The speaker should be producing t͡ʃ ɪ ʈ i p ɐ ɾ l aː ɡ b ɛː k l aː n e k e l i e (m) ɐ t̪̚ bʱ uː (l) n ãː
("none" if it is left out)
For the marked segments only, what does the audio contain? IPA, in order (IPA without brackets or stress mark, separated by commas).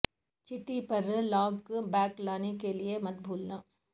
m, l